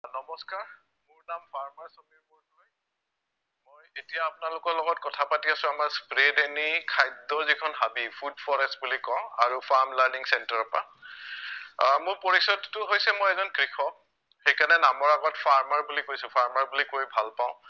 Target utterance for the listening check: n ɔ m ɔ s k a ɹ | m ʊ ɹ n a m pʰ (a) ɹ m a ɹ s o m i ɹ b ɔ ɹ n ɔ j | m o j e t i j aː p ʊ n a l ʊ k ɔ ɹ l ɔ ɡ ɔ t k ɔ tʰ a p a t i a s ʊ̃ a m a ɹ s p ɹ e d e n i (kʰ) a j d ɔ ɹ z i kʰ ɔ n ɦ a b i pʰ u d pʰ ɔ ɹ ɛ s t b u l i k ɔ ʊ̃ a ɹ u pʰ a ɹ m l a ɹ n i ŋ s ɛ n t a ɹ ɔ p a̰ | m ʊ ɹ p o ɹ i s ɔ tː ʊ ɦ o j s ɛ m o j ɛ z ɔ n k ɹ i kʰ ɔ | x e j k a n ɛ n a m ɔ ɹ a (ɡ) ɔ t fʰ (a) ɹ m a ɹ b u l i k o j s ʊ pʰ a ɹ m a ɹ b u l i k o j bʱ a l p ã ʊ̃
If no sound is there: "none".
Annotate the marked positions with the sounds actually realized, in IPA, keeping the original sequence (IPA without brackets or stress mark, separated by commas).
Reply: a, kʰ, ɡ, a